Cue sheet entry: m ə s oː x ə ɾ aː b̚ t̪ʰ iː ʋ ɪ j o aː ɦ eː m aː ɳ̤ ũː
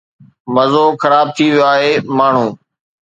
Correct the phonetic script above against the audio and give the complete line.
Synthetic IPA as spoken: m ə z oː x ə ɾ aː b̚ t̪ʰ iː ʋ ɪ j o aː ɦ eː m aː ɳ̤ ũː